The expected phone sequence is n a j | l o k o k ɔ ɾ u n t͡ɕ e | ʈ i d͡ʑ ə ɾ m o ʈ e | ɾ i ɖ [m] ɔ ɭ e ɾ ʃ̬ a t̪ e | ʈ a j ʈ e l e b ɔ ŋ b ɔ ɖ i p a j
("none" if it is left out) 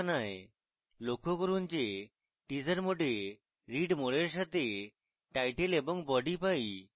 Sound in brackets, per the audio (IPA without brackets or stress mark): m